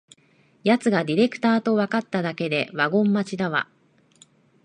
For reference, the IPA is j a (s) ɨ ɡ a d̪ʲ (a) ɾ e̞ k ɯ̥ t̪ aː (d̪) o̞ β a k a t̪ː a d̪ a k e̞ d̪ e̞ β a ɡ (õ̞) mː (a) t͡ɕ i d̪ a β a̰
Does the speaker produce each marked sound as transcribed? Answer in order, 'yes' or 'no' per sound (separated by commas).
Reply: no, no, no, yes, yes